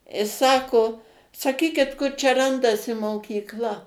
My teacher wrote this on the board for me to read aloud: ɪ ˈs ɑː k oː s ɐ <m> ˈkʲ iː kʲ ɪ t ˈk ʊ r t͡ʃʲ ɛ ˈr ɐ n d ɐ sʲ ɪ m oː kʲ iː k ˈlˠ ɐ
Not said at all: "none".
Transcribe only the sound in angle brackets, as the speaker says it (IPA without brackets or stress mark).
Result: none